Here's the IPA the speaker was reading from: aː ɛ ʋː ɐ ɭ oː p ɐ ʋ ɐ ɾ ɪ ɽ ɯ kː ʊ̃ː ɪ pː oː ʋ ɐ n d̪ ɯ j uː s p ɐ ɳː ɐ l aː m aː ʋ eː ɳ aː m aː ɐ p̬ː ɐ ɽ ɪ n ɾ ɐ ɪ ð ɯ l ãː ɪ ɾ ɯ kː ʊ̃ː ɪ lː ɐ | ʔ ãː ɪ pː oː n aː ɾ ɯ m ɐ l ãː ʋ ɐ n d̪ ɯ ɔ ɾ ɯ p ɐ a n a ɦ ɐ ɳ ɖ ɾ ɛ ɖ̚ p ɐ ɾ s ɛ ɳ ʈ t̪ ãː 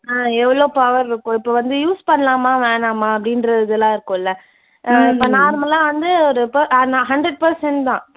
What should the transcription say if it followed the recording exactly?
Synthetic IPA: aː ɛ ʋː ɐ ɭ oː p ɐ ʋ ɐ ɾ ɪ ɾ ɯ kː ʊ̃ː ɪ pː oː ʋ ɐ n d̪ ɯ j uː s p ɐ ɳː ɐ l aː m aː ʋ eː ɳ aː m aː ɐ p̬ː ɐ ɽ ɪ n ɾ ɐ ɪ ð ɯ l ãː ɪ ɾ ɯ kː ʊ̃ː ɪ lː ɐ | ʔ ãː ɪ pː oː n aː ɾ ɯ m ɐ l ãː ʋ ɐ n d̪ ɯ ɔ ɾ ɯ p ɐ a n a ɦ ɐ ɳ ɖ ɾ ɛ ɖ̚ p ɐ ɾ s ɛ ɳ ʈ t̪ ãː